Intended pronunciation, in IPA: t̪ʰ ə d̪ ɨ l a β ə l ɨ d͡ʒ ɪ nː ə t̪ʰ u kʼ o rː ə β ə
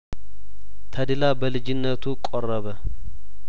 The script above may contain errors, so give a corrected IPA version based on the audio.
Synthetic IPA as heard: t̪ʰ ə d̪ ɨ l a b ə l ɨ d͡ʒ ɪ nː ə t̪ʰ u kʼ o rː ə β ə